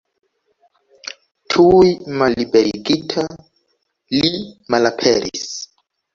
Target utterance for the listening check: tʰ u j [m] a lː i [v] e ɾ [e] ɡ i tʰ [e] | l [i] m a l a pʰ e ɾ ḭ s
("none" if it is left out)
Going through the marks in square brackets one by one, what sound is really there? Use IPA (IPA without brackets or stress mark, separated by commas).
m, b, i, a, i